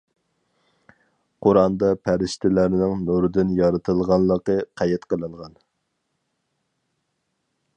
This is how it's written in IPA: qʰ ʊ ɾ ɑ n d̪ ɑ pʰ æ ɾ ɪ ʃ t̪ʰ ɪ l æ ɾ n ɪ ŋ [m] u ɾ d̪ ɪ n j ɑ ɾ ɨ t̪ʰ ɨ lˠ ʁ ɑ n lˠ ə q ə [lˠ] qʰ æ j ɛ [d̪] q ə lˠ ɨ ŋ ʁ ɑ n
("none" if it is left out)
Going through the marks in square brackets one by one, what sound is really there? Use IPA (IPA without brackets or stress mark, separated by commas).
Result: n, none, t̪